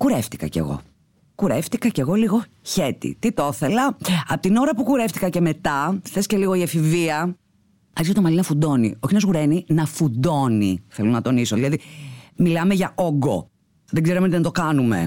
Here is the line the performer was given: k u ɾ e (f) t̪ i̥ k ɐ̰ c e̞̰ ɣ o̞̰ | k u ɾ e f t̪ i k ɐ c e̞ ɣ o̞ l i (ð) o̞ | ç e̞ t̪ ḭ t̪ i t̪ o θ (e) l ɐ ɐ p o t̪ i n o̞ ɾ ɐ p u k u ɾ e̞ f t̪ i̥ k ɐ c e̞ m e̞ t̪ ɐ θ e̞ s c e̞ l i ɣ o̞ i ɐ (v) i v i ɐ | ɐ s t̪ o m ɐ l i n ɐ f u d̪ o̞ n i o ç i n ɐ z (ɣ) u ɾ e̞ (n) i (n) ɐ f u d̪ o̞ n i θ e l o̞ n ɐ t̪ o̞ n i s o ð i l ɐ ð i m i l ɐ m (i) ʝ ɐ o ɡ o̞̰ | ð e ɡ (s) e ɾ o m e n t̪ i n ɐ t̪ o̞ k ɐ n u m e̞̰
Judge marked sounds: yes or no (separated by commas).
yes, no, yes, no, yes, yes, yes, no, no